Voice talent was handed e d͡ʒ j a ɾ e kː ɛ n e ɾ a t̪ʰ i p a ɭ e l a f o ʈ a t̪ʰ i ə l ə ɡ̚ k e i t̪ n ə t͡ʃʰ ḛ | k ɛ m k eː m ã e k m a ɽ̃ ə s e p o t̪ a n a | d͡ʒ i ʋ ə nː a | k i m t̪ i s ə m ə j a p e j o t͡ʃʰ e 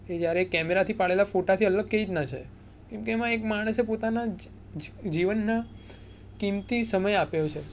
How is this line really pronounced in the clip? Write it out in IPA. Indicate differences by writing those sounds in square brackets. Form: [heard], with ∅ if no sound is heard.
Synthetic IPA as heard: e d͡ʒ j a ɾ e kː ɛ [m] e ɾ a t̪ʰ i p a ɭ e l a f o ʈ a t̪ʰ i ə l ə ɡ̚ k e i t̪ n [a] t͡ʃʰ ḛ | k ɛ m k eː m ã e k m a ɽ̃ ə s e p o t̪ a n a | d͡ʒ i ʋ ə nː a | k i m t̪ i s ə m ə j a p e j o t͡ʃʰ e